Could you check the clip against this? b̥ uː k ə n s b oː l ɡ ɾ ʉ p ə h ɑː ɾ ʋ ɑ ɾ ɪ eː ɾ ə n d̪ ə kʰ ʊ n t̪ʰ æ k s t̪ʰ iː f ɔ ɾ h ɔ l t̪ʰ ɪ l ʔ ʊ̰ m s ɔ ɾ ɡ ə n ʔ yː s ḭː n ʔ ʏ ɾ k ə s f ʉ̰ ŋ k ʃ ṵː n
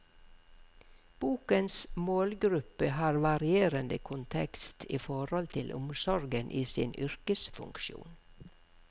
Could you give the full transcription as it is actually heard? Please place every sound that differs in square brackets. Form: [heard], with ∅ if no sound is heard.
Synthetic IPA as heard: b̥ uː k ə n s [m] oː l ɡ ɾ ʉ p ə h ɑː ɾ ʋ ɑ ɾ ɪ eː ɾ ə n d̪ ə kʰ ʊ n t̪ʰ [ɛ] k s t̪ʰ iː f ɔ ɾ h ɔ l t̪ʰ ɪ l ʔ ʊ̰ m s ɔ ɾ ɡ ə n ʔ [iː] s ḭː n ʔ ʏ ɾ k ə s f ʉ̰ ŋ k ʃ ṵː n